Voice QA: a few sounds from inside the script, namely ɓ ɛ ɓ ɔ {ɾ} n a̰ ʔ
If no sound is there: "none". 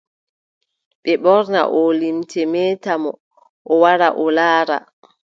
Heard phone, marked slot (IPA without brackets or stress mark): ɾ